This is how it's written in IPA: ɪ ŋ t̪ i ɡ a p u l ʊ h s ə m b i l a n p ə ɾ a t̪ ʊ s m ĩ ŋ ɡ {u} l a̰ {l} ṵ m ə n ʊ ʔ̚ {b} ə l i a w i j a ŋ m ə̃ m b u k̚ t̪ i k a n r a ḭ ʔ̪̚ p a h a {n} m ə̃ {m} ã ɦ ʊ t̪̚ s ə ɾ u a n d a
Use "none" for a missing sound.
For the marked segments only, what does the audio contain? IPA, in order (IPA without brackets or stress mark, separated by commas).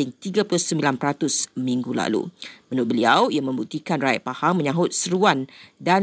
u, l, b, ŋ, ɲ